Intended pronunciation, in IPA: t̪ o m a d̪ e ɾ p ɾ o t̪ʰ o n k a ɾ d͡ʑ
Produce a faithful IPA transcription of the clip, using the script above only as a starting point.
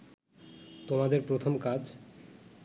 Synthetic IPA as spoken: t̪ o m a d̪ e ɾ p ɾ o t̪ʰ o m k a d͡ʑ

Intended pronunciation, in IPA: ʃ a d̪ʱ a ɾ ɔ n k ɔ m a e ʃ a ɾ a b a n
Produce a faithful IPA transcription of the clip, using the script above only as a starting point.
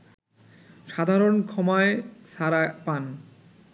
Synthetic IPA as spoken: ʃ a d̪ʱ a ɾ o n kʰ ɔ m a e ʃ a ɾ a p a n

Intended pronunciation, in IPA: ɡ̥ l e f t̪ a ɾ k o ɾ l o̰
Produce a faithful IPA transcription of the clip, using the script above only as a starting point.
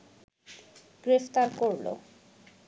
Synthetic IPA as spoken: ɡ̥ ɾ e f t̪ a ɾ k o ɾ l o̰

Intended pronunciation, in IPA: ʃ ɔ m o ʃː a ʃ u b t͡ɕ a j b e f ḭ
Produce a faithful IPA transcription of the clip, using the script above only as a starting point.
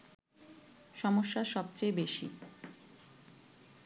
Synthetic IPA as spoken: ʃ ɔ m o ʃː a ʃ ɔ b t͡ɕ e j b e ʃ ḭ

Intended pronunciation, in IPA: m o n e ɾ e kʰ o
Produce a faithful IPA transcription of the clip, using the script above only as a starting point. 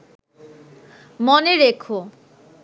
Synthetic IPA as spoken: m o n e ɾ e kʰ o

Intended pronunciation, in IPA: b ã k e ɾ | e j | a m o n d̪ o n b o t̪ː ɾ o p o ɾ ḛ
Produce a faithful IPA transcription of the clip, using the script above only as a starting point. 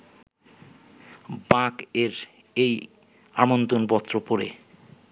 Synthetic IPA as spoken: b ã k e ɾ | e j | a m o n t̪ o n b ɔ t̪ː ɾ o p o ɾ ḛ

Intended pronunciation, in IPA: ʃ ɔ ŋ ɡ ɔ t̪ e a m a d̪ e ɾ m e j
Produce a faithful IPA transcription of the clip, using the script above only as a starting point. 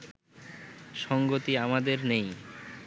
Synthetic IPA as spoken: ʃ ɔ ŋ ɡ o t̪ i a m a d̪ e ɾ n e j

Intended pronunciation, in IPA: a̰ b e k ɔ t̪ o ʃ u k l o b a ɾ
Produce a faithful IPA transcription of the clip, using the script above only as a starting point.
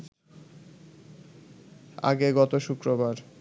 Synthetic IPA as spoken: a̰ ɡ e ɡ ɔ t̪ o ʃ u k ɾ o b a ɾ

